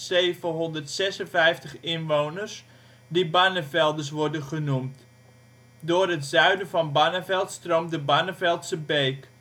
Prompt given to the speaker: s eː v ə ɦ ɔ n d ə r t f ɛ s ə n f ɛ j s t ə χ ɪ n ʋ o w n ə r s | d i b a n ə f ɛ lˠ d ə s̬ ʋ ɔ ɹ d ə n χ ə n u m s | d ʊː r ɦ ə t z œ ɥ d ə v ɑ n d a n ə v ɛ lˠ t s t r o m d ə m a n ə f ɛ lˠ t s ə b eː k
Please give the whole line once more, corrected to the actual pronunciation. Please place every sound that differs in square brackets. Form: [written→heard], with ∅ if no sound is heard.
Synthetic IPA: s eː v ə ɦ ɔ n d ə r t [f→s] ɛ s ə n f ɛ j [s→f] t ə χ ɪ n ʋ o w n ə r s | d i b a n ə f ɛ lˠ d ə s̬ ʋ ɔ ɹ d ə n χ ə n u m [s→t] | d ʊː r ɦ ə t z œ ɥ d ə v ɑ n [d→b] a n ə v ɛ lˠ t s t r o m d ə [m→b] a n ə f ɛ lˠ t s ə b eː k